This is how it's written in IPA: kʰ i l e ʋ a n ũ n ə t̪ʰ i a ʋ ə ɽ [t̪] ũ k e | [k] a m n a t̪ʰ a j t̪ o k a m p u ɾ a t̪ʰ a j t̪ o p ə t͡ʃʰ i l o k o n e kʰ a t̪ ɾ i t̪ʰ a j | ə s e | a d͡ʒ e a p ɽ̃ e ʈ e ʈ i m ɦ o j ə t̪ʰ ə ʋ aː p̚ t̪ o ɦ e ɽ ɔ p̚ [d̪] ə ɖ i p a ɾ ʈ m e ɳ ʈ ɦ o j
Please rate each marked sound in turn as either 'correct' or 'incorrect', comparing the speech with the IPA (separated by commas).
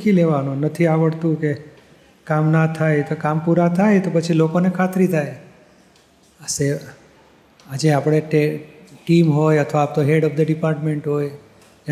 correct, correct, correct